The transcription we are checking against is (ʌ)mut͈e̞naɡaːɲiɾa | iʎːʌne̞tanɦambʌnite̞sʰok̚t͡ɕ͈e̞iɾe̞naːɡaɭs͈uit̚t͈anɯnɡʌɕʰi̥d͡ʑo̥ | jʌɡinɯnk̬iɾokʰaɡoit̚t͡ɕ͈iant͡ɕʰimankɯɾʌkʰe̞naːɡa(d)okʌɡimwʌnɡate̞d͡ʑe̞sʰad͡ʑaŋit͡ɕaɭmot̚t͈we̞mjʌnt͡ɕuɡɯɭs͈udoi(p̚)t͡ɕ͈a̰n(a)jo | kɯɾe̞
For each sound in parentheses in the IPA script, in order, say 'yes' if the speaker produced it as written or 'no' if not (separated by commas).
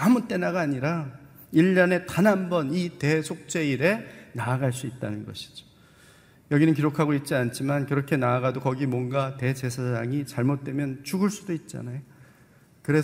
no, yes, no, yes